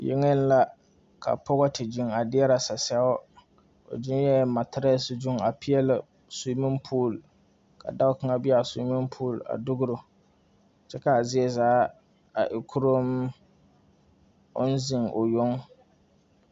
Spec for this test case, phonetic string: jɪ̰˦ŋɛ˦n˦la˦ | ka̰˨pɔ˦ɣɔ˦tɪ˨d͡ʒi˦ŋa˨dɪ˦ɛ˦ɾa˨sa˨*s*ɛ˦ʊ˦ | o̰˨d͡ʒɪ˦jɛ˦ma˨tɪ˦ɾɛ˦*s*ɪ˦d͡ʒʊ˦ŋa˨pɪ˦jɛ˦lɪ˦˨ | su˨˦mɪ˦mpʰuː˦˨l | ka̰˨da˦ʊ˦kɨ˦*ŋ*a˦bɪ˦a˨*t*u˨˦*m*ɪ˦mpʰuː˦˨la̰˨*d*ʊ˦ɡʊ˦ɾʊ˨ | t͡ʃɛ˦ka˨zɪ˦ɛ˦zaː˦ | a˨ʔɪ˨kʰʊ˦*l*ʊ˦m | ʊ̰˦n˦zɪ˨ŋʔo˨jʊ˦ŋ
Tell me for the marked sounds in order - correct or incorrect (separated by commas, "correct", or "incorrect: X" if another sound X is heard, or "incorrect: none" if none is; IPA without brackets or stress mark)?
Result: correct, correct, correct, incorrect: s, correct, correct, incorrect: ɾ